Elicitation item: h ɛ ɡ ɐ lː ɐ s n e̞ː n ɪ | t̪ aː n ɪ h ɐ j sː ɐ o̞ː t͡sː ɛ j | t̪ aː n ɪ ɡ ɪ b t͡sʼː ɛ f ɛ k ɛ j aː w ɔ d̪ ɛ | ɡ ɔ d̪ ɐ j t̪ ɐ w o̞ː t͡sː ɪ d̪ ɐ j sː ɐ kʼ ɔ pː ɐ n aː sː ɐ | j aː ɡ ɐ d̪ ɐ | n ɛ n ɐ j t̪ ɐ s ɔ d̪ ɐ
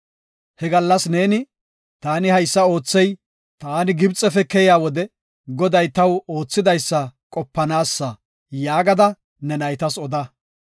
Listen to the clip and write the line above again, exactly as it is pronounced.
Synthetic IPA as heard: h ɛ ɡ ɐ lː ɐ s n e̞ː n ɪ | t̪ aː n ɪ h ɐ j sː ɐ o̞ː t͡sː ɛ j | t̪ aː n ɪ ɡ ɪ b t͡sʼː ɛ f ɛ k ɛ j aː w ɔ d̪ ɛ | ɡ ɔ d̪ ɐ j t̪ ɐ w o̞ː t͡sː ɪ d̪ ɐ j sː ɐ kʼ ɔ pː ɐ n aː sː ɐ | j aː ɡ ɐ d̪ ɐ | n ɛ n ɐ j t̪ ɐ s ɔ d̪ ɐ